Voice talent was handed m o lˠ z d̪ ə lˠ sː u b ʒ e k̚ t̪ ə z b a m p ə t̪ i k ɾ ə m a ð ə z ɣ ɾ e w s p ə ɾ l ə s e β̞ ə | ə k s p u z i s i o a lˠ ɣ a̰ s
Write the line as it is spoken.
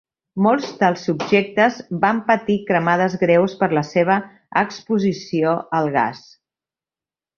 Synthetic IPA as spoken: m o lˠ z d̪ ə lˠ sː u b ʒ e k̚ t̪ ə z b a m p ə t̪ i k ɾ ə m a ð ə z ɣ ɾ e w s p ə ɾ l ə s e β̞ ə | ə k s p u z i s i o ə lˠ ɣ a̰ s